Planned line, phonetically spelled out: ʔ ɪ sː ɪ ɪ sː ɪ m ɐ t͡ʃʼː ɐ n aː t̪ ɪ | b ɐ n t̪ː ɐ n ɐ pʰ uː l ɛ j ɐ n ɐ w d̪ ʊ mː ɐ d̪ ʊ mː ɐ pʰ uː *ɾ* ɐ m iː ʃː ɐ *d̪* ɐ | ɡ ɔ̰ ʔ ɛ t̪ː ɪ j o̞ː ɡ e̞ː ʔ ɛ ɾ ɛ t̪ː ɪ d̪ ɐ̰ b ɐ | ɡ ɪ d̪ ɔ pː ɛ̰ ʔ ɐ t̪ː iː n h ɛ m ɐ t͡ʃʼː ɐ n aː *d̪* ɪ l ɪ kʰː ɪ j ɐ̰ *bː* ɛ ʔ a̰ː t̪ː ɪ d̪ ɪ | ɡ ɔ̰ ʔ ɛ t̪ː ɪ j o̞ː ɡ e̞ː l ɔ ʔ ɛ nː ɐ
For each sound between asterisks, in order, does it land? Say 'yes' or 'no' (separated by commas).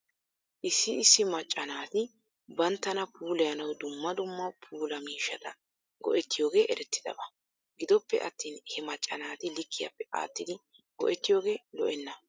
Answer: no, no, no, no